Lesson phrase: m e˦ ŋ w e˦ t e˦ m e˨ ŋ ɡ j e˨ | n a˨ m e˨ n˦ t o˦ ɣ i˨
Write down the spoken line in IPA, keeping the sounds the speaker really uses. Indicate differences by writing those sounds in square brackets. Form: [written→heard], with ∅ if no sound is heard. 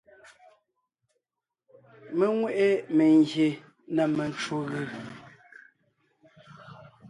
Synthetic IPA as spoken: m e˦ ŋ w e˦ [t→ʔ] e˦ m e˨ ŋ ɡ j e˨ | n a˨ m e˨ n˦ [t→t͡ʃ] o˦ ɣ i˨

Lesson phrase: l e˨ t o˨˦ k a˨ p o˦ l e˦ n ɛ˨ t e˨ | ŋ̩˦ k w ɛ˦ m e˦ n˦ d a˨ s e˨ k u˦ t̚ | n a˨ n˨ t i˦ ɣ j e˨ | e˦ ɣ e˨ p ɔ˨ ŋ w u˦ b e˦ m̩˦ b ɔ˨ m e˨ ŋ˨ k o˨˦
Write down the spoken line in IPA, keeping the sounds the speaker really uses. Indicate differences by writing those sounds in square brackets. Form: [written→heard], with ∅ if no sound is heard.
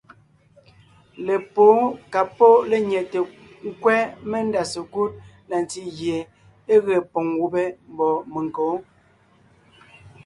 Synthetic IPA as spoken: l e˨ [t→p] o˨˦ k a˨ p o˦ l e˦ [n→ɲ] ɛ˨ t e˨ | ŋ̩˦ k w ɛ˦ m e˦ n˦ d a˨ s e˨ k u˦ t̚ | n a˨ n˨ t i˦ ɣ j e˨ | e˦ ɣ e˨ p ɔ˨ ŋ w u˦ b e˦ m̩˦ b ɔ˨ m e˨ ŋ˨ k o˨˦

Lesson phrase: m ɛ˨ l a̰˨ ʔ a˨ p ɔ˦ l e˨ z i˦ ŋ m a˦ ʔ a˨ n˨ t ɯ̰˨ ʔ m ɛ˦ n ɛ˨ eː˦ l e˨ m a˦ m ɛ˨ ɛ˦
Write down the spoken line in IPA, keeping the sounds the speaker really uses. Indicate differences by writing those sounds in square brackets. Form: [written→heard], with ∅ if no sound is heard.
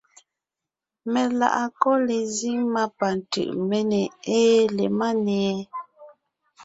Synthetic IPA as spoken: m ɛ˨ l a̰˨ ʔ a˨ [p→k] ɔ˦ l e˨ z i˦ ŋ m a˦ [ʔ→p] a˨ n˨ t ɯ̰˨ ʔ m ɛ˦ n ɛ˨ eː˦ l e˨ m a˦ [m→n] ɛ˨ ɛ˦

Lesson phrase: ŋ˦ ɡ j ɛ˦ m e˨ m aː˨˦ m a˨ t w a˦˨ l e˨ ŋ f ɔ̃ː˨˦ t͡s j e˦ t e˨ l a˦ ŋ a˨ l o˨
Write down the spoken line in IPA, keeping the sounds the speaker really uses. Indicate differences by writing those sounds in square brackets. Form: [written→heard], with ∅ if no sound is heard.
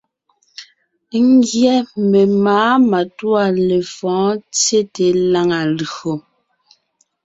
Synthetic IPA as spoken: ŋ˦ ɡ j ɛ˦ m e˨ m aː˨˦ m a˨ t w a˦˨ l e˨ [ŋ→∅] f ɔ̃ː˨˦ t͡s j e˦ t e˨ l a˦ ŋ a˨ l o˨

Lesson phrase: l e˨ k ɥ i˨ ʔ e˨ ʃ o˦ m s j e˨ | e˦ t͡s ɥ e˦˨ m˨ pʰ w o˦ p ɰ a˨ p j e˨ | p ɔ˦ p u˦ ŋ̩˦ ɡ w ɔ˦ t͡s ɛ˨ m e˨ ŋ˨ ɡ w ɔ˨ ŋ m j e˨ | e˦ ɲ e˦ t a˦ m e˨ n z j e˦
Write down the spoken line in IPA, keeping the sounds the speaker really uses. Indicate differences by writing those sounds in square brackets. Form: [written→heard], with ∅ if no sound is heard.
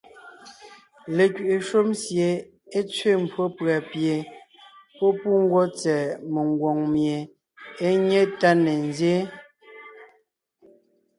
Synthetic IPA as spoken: l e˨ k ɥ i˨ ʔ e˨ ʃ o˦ m s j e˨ | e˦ t͡s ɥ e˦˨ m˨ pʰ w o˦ p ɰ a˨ p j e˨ | p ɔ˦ p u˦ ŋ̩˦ ɡ w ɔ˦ t͡s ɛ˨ m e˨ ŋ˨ ɡ w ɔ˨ ŋ m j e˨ | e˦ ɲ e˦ t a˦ [m→n] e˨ n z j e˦

